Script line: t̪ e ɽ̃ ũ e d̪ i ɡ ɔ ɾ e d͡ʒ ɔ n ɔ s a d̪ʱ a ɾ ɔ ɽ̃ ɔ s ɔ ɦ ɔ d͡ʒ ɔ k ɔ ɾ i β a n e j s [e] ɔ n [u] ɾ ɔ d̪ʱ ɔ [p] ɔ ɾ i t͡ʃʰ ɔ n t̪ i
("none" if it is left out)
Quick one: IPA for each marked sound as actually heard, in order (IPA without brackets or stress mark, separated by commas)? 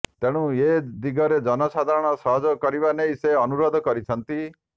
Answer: e, u, k